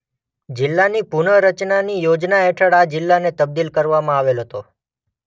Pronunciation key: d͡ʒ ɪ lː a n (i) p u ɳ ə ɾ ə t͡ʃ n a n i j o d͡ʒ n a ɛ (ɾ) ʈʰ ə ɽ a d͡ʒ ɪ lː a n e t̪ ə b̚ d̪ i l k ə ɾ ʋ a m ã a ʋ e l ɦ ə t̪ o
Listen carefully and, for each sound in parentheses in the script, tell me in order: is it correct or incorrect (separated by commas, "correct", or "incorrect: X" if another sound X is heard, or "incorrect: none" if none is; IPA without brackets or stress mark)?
correct, incorrect: none